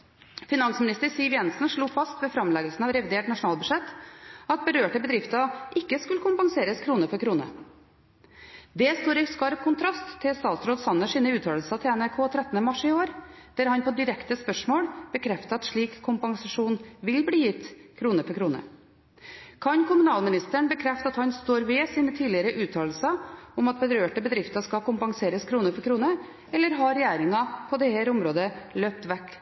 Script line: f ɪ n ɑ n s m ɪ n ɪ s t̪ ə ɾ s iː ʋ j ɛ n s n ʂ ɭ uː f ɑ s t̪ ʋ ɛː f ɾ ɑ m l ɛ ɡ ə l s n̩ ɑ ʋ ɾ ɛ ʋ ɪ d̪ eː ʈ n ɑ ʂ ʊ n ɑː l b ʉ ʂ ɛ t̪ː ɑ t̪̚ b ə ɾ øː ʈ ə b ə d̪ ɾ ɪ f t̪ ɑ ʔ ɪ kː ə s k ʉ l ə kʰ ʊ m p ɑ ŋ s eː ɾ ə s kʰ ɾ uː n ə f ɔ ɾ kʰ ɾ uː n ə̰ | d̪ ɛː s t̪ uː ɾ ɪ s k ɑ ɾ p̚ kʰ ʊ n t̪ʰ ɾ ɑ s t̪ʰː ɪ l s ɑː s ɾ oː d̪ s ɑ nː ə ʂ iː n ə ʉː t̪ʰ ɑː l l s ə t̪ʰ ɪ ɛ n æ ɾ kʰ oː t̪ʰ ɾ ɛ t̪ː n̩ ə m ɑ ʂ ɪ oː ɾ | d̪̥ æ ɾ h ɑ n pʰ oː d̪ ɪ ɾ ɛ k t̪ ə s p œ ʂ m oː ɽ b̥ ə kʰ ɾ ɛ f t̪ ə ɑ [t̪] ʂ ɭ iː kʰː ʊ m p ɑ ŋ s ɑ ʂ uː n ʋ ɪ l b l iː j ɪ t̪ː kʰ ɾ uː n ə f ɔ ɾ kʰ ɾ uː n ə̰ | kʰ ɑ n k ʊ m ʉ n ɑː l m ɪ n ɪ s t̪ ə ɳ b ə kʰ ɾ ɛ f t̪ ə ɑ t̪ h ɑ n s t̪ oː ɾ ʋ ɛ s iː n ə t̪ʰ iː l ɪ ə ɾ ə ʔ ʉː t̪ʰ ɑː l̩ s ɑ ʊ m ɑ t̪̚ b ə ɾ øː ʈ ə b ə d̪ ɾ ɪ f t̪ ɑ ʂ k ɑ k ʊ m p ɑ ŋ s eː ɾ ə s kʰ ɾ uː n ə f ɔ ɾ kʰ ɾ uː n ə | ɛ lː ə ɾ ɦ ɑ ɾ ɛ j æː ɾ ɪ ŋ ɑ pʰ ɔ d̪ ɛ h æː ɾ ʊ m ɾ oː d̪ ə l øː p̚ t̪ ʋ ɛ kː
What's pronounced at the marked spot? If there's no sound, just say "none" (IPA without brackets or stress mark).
t̪